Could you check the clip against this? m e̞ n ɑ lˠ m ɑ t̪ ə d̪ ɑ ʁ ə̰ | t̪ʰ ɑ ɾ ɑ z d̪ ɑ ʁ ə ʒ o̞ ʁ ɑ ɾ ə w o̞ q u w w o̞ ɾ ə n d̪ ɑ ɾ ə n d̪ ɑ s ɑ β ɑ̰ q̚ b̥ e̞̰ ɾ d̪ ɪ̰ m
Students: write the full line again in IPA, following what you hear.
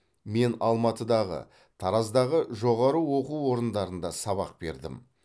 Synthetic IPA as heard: m e̞ n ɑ lˠ m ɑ t̪ ə d̪ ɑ ʁ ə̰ | t̪ʰ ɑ ɾ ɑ z d̪ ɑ ʁ ə ʒ o̞ ʁ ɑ ɾ ə w o̞ q u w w o̞ ɾ ə n d̪ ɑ ɾ ə n d̪ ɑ s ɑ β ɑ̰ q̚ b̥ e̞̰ ɾ d̪ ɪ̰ m